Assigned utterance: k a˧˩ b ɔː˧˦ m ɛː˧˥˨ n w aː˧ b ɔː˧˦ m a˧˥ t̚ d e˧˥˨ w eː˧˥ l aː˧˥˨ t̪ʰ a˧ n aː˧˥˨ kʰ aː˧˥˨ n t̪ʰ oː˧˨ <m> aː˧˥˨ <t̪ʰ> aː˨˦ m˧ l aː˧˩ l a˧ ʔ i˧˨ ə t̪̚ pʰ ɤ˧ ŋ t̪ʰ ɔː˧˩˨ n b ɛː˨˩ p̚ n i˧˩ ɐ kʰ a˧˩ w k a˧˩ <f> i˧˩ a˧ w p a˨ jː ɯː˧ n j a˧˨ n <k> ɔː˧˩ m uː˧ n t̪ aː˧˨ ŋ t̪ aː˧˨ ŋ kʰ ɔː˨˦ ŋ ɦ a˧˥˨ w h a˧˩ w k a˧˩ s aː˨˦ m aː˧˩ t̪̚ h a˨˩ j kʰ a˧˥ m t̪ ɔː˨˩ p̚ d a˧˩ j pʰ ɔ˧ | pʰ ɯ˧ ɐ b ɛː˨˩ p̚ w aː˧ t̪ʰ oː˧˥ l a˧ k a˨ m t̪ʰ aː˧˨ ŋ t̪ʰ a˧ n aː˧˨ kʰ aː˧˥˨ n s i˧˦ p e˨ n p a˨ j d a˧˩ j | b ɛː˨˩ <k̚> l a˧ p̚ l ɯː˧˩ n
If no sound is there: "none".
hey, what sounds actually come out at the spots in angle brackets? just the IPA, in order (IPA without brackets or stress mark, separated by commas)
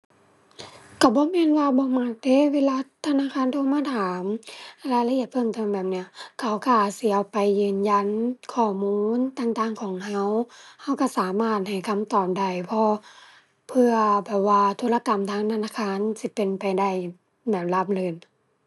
m, t̪ʰ, s, kʰ, p̚